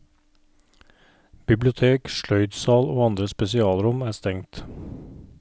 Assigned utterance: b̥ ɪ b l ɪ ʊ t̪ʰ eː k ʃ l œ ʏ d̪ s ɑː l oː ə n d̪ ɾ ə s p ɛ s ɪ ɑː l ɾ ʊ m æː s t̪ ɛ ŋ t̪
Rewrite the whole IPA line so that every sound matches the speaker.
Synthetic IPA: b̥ ɪ b l ɪ ʊ t̪ʰ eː k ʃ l œ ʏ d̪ s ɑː l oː ɑ n d̪ ɾ ə s p ɛ s ɪ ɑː l ɾ ʊ m æː s t̪ ɛ ŋ t̪